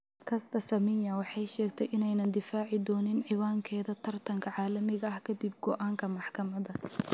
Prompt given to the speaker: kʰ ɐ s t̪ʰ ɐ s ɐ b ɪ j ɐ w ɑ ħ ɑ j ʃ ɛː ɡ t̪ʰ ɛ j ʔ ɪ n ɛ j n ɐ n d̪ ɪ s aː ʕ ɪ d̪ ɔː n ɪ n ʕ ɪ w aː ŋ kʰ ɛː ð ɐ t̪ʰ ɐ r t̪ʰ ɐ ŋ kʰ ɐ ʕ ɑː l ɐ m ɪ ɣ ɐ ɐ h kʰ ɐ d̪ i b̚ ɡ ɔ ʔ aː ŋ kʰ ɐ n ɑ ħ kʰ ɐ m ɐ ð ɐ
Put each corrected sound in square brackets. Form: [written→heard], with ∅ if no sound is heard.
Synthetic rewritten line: kʰ ɐ s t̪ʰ ɐ s ɐ [b→m] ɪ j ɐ w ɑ ħ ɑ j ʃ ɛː ɡ t̪ʰ ɛ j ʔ ɪ n ɛ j n ɐ n d̪ ɪ [s→f] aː ʕ ɪ d̪ ɔː n ɪ n ʕ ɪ w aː ŋ kʰ ɛː ð ɐ t̪ʰ ɐ r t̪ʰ ɐ ŋ kʰ ɐ ʕ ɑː l ɐ m ɪ ɣ ɐ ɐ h kʰ ɐ d̪ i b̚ ɡ ɔ ʔ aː ŋ kʰ ɐ [n→m] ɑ ħ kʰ ɐ m ɐ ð ɐ